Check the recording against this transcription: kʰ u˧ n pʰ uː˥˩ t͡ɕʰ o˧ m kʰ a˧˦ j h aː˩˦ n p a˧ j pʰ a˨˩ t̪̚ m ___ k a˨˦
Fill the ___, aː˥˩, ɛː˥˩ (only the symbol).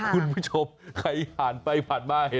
aː˥˩